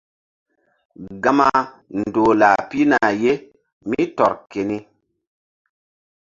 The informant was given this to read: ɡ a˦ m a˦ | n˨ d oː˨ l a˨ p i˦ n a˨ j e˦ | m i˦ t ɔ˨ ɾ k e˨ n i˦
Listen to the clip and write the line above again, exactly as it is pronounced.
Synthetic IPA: ɡ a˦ m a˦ | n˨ d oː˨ l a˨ p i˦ n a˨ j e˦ | m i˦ t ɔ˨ ɾ k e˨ n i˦